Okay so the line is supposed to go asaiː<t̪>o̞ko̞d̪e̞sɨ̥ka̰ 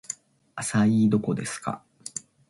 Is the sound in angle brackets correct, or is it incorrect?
incorrect